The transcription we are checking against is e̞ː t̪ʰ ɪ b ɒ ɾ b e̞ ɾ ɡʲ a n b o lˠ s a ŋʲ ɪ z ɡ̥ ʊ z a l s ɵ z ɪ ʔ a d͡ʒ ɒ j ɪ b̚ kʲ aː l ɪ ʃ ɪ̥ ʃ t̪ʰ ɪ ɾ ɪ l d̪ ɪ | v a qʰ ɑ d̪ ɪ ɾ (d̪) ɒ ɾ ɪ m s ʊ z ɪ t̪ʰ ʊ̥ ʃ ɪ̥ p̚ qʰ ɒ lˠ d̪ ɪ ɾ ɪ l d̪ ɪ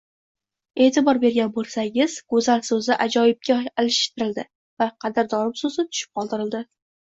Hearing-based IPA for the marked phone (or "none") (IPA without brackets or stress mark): d̪